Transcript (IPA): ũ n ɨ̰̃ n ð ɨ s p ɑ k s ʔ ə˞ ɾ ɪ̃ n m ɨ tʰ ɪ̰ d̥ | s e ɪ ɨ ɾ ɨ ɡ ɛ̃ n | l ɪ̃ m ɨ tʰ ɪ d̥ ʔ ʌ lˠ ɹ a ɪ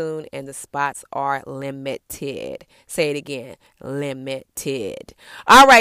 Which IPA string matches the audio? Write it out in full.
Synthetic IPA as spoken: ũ n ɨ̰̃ n ð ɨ s p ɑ t s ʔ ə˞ l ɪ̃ m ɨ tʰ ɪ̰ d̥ | s e ɪ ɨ ɾ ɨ ɡ ɛ̃ n | l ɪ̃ m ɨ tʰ ɪ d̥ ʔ ɔ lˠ ɹ a ɪ